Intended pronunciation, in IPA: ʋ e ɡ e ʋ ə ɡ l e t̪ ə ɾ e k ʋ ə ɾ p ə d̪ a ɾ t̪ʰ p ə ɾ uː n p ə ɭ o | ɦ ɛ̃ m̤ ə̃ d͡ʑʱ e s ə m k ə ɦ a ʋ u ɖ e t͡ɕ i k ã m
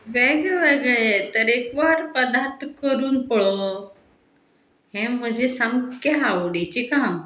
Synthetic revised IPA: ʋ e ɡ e ʋ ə ɡ ɭ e t̪ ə ɾ e k ʋ a ɾ p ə d̪ a ɾ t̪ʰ k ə ɾ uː n p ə ɭ o | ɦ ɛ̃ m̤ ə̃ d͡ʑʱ e s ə m k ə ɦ a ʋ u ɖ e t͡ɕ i k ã m